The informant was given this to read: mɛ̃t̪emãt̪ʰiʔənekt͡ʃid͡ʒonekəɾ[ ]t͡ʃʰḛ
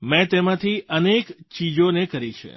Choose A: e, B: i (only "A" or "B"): B